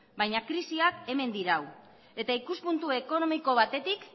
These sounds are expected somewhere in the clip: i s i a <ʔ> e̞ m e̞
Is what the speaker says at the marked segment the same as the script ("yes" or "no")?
no